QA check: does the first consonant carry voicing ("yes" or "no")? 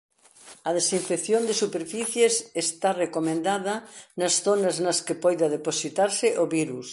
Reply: yes